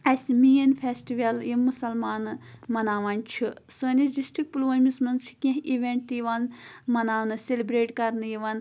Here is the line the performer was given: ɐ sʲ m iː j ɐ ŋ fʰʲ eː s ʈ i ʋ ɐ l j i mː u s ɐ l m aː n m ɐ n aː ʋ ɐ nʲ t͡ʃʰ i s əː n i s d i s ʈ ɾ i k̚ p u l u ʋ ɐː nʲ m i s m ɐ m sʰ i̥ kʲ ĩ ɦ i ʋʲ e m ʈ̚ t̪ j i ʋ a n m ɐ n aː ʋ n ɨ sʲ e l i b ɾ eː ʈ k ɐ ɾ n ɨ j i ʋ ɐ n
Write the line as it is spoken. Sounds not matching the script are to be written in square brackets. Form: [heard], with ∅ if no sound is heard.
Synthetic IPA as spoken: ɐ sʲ m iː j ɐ [n] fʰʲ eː s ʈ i ʋ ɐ l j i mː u s ɐ l m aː n m ɐ n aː ʋ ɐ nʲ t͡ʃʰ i s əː n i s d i s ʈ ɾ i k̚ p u l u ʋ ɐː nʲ m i s m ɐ [n] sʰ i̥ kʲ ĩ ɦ i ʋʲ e [ɳ] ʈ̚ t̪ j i ʋ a n m ɐ n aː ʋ n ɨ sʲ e l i b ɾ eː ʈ k ɐ ɾ n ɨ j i ʋ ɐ n